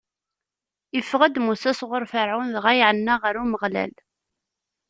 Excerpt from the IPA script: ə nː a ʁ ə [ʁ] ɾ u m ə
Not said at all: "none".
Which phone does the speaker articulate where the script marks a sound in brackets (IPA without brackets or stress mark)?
none